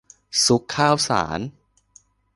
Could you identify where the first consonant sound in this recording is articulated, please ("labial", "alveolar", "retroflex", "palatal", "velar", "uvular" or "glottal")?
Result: alveolar